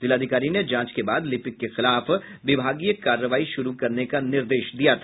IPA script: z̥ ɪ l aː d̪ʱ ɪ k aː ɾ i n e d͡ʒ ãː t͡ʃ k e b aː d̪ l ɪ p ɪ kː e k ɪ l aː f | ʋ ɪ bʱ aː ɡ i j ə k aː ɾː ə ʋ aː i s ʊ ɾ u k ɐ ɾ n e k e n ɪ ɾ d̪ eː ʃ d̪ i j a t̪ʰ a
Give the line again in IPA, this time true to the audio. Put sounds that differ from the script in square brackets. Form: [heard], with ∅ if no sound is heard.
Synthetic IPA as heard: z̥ ɪ l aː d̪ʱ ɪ k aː ɾ i n e d͡ʒ ãː t͡ʃ k e b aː d̪ l ɪ p ɪ kː e [x] ɪ l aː f | ʋ ɪ bʱ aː ɡ i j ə k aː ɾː ə ʋ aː i [ʃ] ʊ ɾ u k ɐ ɾ n e k [a] n ɪ ɾ d̪ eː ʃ d̪ i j a t̪ʰ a